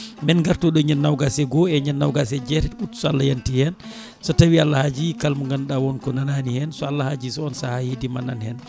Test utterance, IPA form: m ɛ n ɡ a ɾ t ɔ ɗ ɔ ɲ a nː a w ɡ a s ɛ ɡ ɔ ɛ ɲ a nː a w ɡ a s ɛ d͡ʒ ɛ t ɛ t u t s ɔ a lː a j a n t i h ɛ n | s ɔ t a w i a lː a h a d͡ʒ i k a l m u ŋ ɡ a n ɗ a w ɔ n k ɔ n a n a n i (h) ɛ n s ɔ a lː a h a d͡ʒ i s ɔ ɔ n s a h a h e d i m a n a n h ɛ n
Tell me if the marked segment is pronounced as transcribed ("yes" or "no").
yes